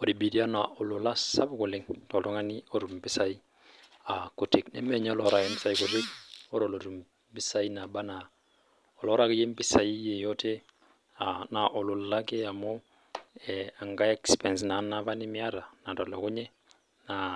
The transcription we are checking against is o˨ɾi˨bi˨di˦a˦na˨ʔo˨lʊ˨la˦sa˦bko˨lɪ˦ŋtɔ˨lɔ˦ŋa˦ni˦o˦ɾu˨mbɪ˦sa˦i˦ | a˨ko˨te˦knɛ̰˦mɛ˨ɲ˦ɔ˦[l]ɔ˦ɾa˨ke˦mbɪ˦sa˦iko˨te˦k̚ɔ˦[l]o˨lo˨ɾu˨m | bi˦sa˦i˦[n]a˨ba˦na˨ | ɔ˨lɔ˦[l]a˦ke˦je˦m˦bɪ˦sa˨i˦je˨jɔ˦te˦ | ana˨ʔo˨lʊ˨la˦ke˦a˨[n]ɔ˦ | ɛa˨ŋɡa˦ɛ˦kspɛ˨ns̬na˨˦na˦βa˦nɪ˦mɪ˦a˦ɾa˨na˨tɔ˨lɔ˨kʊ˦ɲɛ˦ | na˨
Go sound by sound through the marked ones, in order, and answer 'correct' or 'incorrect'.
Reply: correct, incorrect: ɾ, correct, incorrect: ɾ, incorrect: m

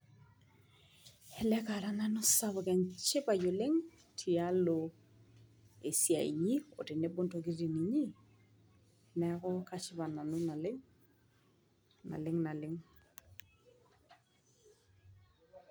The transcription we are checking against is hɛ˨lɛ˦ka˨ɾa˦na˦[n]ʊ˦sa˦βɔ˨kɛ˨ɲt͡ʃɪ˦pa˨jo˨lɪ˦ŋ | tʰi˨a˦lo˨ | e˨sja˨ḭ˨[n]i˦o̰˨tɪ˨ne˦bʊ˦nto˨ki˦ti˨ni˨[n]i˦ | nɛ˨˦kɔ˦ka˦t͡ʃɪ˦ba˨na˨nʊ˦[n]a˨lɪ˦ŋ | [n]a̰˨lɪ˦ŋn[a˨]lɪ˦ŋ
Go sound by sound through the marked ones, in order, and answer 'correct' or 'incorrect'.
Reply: correct, incorrect: ɲ, incorrect: ɲ, correct, correct, correct

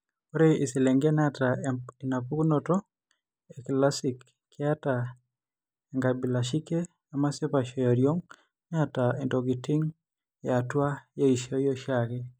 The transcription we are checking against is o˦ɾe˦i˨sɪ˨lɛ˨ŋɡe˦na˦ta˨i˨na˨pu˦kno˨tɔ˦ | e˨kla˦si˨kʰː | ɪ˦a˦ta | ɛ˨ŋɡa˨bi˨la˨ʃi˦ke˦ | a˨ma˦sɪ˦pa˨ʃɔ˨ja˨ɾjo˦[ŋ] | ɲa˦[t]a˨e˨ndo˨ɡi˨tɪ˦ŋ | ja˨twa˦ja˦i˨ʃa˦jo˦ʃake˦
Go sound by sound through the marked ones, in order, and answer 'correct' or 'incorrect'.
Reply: correct, correct

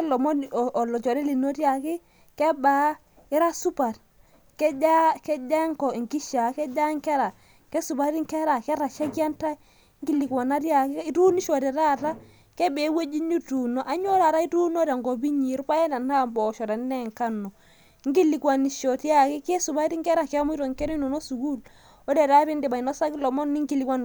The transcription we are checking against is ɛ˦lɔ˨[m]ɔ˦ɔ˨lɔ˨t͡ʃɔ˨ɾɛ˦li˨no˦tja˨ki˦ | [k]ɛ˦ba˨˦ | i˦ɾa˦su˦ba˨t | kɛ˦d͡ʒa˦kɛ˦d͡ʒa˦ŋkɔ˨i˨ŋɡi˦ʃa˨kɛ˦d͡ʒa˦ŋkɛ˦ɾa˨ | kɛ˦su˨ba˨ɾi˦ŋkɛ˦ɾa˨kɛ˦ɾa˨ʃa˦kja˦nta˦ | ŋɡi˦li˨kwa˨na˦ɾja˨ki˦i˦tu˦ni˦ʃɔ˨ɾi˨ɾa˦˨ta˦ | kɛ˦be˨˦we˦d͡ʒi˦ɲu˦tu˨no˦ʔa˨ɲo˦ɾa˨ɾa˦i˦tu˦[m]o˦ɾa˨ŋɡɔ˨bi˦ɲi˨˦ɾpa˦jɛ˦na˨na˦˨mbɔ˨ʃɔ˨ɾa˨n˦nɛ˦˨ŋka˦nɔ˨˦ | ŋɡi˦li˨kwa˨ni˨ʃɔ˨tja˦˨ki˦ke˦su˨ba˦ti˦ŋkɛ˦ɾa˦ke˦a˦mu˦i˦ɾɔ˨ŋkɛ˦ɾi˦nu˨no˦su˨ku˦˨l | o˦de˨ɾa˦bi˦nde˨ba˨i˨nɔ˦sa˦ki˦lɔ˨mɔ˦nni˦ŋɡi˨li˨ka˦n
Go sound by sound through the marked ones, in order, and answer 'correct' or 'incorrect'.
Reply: correct, correct, incorrect: n

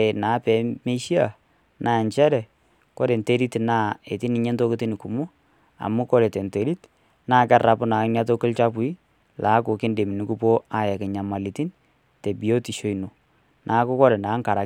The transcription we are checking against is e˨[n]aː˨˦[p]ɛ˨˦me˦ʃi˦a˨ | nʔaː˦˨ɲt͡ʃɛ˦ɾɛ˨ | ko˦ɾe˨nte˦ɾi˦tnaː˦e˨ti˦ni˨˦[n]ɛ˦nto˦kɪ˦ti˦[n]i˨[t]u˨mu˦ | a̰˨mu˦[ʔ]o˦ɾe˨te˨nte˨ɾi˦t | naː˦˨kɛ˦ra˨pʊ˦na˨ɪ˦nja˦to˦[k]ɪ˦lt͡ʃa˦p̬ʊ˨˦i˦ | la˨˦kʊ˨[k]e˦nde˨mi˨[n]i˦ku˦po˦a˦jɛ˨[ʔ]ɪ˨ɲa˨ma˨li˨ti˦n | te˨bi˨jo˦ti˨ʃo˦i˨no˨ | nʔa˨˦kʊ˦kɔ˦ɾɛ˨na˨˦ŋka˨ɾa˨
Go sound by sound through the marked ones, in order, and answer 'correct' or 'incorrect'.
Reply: correct, correct, incorrect: ɲ, correct, incorrect: k, incorrect: k, correct, correct, correct, incorrect: k

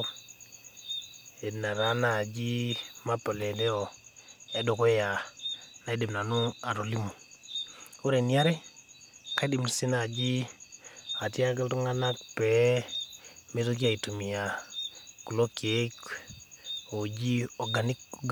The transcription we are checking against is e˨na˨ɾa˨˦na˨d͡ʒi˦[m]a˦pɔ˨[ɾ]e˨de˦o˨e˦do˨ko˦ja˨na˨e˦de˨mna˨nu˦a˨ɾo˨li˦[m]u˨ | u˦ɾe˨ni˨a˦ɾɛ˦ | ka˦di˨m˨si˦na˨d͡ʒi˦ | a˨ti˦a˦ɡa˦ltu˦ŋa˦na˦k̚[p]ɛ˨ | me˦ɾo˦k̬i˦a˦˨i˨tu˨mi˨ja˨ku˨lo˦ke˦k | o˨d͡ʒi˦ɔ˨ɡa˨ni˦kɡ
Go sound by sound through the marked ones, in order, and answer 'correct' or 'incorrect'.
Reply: correct, incorrect: l, correct, correct

